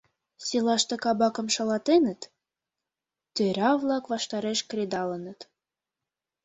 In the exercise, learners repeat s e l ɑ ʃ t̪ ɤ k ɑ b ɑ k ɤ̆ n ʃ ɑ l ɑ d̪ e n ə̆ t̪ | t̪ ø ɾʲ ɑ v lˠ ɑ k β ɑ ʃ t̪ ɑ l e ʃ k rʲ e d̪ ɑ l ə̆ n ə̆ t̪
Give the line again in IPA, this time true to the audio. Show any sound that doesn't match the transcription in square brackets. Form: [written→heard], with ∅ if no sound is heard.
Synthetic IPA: s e l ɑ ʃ t̪ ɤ k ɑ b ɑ k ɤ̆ [n→m] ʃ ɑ l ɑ [d̪→t̪] e n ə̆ t̪ | t̪ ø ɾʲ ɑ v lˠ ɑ k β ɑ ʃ t̪ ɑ [l→ɾ] e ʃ k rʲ e d̪ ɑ l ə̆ n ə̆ t̪